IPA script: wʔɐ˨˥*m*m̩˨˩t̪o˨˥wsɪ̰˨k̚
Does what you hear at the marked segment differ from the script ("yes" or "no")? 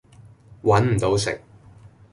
yes